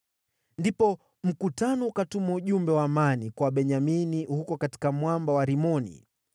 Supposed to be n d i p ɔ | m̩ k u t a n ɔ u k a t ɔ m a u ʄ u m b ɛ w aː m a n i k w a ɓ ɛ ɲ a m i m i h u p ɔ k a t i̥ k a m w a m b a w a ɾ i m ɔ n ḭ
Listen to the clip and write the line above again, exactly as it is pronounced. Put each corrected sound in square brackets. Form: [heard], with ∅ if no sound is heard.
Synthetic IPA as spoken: n d i p ɔ | m̩ k u t a n ɔ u k a t [u] m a u ʄ u m b ɛ w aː m a n i k w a ɓ ɛ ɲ a m i [n] i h u [k] ɔ k a t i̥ k a m w a m b a w a ɾ i m ɔ n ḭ